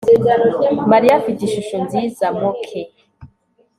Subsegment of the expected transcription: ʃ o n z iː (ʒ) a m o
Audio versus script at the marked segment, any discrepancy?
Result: yes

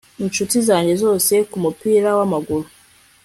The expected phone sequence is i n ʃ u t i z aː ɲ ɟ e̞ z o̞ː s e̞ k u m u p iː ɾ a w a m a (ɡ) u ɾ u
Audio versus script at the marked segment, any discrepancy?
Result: no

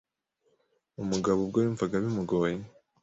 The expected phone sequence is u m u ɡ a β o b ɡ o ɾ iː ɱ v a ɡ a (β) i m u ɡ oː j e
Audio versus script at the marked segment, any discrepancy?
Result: no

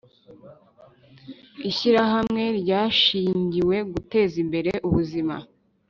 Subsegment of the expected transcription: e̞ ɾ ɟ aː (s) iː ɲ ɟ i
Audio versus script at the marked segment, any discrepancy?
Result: yes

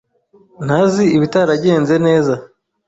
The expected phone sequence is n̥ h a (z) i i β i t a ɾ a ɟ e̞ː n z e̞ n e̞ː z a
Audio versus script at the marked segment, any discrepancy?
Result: no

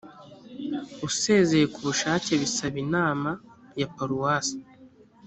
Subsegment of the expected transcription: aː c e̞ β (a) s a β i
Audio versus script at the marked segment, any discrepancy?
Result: yes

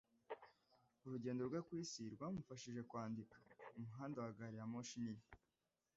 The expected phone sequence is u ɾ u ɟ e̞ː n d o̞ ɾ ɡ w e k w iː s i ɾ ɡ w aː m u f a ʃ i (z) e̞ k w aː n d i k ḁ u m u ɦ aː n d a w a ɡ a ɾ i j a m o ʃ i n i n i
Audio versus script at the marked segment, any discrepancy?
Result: yes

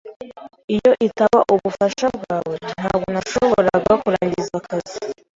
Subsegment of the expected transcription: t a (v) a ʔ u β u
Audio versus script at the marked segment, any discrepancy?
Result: yes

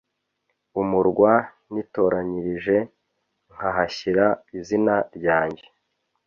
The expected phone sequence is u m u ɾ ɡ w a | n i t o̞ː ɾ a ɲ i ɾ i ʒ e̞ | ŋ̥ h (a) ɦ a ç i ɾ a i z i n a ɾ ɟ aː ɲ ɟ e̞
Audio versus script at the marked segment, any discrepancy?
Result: no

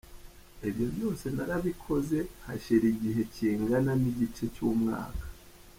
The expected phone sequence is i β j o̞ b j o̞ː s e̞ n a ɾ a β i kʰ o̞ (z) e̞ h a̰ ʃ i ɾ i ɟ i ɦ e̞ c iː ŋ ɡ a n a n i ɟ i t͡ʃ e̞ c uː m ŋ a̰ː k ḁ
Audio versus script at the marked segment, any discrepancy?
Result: no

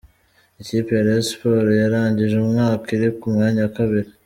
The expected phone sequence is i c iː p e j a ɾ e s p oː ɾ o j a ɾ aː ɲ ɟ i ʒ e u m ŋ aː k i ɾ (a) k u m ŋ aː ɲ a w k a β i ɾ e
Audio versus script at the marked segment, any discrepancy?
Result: yes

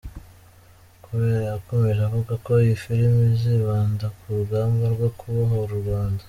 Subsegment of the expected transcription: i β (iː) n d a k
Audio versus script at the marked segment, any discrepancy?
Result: yes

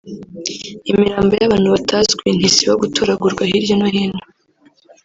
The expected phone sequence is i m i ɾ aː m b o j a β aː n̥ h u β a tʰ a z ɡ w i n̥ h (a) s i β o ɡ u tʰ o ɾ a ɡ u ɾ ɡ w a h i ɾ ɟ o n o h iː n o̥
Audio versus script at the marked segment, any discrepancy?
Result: yes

